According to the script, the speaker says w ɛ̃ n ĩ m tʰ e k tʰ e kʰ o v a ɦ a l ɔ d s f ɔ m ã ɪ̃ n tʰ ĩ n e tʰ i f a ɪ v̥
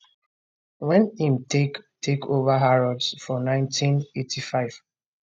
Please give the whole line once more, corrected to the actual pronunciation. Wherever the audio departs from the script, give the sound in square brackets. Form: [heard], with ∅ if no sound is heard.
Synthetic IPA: w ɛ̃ n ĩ m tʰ e k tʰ e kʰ o v a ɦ a [ɹ] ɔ d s f ɔ [n] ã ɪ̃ n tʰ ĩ n e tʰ i f a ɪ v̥